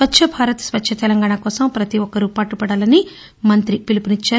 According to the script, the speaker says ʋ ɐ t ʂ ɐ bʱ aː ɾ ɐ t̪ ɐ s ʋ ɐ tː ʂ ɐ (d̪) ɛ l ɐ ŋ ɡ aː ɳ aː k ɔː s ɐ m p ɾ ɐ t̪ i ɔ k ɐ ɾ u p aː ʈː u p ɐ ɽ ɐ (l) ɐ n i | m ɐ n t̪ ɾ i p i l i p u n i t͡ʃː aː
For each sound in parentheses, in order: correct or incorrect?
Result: incorrect, correct

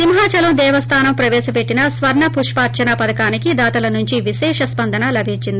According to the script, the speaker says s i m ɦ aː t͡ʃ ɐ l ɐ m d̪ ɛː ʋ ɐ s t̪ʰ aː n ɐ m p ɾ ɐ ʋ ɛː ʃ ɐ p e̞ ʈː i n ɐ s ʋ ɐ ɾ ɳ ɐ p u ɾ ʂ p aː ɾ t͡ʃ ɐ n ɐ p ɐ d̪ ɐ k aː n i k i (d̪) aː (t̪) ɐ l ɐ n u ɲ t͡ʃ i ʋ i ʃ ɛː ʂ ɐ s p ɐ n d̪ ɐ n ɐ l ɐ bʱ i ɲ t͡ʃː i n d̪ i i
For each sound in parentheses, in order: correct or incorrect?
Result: correct, correct

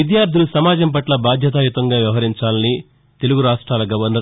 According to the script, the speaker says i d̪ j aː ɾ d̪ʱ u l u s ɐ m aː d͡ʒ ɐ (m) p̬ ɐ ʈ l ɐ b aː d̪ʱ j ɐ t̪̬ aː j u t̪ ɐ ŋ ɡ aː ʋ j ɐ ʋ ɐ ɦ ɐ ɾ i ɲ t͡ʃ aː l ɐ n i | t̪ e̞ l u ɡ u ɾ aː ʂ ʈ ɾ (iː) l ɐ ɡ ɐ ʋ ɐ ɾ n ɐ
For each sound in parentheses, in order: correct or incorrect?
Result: correct, incorrect

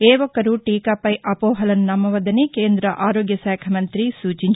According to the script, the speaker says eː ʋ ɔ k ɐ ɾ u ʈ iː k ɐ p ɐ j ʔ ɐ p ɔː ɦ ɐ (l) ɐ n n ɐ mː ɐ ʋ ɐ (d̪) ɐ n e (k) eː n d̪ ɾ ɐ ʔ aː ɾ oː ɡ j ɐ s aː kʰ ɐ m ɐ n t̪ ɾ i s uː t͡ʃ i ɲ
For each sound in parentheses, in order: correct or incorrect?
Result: correct, correct, correct

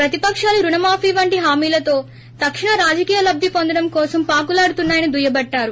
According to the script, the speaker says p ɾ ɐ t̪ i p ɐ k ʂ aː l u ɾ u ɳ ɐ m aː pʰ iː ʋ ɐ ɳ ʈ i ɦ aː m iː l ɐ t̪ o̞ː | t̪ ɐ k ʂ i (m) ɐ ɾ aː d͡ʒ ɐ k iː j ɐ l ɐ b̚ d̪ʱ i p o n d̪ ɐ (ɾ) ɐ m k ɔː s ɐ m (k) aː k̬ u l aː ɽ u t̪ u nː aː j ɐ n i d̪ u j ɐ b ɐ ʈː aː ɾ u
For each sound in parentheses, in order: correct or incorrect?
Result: incorrect, incorrect, incorrect

